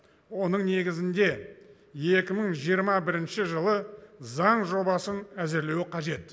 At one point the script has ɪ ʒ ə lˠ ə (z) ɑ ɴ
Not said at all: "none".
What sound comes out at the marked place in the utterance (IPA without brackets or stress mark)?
z